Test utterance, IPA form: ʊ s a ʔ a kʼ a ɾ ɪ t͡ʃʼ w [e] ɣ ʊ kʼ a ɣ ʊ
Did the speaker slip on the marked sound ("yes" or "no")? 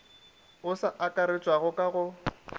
yes